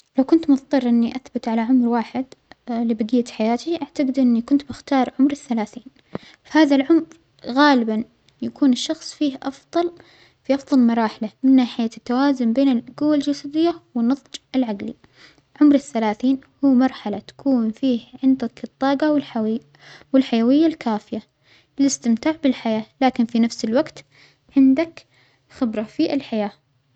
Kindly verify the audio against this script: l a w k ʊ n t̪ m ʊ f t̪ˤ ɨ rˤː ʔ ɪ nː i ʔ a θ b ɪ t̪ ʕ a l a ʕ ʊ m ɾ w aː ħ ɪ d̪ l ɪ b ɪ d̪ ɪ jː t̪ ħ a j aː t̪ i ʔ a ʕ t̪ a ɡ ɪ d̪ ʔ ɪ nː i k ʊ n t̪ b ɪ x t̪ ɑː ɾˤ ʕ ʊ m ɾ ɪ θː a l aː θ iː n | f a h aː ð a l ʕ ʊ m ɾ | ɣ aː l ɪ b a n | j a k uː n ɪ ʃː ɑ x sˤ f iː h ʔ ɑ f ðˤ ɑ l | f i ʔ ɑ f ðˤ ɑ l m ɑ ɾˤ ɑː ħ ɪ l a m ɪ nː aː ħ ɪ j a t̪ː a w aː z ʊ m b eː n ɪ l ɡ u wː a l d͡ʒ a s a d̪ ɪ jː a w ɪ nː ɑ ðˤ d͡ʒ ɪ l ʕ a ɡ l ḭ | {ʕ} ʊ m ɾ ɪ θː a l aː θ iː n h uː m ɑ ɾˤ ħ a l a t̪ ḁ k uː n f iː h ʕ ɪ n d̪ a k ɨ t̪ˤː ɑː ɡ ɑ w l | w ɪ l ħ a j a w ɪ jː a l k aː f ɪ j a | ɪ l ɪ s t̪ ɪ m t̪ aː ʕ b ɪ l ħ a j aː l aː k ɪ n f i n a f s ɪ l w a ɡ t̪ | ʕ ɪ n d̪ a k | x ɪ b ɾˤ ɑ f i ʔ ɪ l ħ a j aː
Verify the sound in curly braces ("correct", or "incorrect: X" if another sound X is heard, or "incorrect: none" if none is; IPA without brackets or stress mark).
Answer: correct